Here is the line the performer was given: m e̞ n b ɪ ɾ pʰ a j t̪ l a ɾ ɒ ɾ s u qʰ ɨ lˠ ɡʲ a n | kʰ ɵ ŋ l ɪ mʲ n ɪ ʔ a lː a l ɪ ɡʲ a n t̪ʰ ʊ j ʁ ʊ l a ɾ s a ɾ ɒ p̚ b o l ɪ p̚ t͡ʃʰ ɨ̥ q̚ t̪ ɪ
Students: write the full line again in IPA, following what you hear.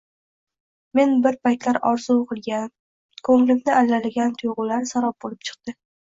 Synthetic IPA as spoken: m e̞ n b ɪ ɾ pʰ a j t̪ l a ɾ ɒ ɾ z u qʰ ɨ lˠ ɡʲ a n | kʰ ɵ ŋ l ɪ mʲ n ɪ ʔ a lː a l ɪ ɡʲ a n t̪ʰ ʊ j ʁ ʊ l a ɾ s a ɾ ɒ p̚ b o l ɪ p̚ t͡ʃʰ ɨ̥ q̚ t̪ ɪ